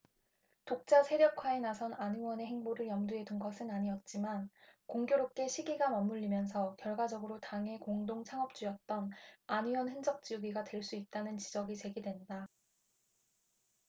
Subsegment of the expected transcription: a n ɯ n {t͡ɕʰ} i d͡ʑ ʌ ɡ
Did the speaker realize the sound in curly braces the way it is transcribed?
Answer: no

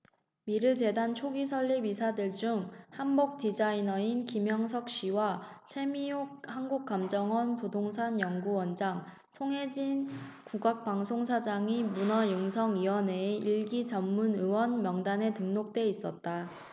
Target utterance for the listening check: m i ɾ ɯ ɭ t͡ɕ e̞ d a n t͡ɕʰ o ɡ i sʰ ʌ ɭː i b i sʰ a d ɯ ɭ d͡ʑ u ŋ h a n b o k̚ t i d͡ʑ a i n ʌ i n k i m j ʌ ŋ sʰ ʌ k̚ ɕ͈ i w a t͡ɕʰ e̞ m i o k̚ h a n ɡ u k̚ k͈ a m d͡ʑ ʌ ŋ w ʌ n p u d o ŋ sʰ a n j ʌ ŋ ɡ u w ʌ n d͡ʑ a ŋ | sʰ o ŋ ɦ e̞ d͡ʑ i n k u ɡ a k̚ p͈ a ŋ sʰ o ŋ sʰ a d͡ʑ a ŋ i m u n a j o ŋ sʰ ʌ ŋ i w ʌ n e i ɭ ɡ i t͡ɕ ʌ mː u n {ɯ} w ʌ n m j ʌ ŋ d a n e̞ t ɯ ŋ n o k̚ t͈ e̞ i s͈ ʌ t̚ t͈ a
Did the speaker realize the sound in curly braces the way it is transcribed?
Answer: yes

